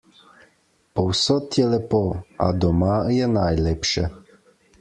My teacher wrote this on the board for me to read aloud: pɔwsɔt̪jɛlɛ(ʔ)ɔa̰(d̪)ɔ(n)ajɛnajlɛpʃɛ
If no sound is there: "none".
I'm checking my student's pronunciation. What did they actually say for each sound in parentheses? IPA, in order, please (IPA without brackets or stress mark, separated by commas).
p, d̪, m